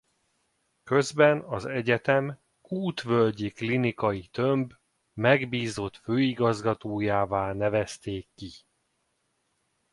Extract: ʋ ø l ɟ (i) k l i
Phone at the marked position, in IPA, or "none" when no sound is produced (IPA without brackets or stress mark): i